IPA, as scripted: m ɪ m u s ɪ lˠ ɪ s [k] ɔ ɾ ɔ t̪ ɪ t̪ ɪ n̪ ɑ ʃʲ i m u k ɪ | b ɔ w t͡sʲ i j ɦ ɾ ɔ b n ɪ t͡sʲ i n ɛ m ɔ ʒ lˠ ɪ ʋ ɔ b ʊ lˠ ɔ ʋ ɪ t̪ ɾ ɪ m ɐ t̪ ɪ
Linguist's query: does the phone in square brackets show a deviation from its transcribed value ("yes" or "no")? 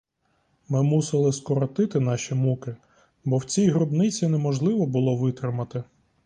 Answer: no